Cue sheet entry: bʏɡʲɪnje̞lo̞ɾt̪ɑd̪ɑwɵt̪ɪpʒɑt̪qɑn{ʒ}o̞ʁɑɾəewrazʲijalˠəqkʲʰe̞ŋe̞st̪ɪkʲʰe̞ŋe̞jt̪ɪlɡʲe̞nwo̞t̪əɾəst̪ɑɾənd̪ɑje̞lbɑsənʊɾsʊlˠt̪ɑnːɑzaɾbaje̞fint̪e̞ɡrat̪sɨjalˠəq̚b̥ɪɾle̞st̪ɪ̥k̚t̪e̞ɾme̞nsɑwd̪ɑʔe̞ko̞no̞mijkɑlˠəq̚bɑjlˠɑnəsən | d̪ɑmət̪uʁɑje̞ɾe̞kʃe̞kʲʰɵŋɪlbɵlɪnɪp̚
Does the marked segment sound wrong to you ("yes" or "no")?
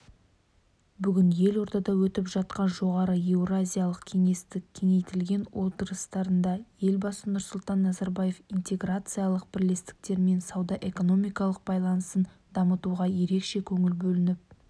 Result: no